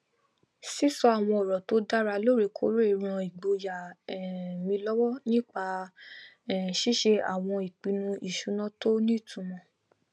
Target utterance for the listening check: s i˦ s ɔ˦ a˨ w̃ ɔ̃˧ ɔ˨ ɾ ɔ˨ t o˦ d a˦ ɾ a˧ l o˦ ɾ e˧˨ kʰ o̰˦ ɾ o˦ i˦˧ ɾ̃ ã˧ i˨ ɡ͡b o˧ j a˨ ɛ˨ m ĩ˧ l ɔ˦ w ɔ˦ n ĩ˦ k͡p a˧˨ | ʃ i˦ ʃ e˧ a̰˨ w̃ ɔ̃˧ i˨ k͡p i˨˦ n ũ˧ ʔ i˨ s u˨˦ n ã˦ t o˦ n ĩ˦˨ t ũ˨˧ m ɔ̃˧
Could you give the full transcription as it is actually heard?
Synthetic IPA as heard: s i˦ s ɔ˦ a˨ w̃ ɔ̃˧ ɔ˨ ɾ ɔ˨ t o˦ d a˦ ɾ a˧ l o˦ ɾ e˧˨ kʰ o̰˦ ɾ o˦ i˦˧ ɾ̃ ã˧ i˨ ɡ͡b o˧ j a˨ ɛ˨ m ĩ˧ l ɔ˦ w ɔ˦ n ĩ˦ k͡p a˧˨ | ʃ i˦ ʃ e˧ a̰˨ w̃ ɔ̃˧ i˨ k͡p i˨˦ n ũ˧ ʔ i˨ ʃ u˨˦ n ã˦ t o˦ n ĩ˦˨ t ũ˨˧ m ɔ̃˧